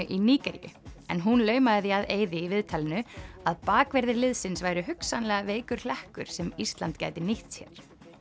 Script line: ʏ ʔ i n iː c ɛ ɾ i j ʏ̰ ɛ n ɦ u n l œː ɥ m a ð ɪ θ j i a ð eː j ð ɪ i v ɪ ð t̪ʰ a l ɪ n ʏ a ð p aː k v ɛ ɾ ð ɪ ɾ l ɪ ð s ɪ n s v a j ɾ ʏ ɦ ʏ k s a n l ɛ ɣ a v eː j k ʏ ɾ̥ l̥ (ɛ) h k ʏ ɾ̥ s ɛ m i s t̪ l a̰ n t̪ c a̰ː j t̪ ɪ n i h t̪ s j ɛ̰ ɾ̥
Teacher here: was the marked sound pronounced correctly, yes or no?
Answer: yes